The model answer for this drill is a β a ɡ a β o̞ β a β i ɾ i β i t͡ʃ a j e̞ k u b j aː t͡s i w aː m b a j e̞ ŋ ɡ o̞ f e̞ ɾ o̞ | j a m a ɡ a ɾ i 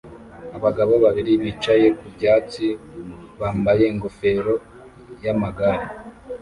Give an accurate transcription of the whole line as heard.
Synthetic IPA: a β a ɡ a β o̞ β a β i ɾ i β i t͡ʃ a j e̞ k u b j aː t͡s i β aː m b a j e̞ ŋ ɡ o̞ f e̞ ɾ o̞ | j a m a ɡ a ɾ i